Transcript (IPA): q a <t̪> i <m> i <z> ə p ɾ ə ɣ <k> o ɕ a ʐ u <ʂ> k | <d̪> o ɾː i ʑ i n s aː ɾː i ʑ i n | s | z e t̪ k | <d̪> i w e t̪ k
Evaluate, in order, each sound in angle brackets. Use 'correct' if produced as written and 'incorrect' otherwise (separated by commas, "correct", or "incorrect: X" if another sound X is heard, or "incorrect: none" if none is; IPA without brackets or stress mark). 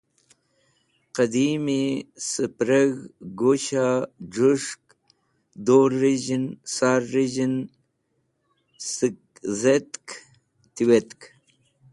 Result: incorrect: d̪, correct, incorrect: s, incorrect: ɡ, correct, correct, incorrect: t̪